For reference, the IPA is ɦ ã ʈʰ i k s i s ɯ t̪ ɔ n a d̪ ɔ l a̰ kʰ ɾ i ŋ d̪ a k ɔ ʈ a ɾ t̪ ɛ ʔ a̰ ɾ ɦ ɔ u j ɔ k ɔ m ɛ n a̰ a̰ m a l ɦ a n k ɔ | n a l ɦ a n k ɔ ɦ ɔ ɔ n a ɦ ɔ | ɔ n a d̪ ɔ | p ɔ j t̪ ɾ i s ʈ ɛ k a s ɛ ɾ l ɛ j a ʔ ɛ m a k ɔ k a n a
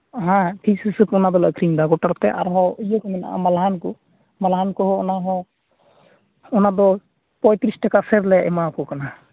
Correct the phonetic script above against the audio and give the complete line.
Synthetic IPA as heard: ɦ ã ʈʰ i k s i s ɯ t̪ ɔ n a d̪ ɔ l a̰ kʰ ɾ i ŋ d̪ a ɡ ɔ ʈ a ɾ t̪ ɛ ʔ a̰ ɾ ɦ ɔ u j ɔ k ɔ m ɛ n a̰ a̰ m a l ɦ a n k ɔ | m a l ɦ a n k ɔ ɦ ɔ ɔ n a ɦ ɔ | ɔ n a d̪ ɔ | p ɔ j t̪ ɾ i s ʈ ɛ k a s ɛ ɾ l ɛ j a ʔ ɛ m a k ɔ k a n a